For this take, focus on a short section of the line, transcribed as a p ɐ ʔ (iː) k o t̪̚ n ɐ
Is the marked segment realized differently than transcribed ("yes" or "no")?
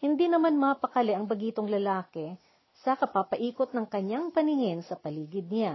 no